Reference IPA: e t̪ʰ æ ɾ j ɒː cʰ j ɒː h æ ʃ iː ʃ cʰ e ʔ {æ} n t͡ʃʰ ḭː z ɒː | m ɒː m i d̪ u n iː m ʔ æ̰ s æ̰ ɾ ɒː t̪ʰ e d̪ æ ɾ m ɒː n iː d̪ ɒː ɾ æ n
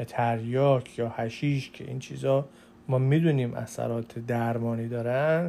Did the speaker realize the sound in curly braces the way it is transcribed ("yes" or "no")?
no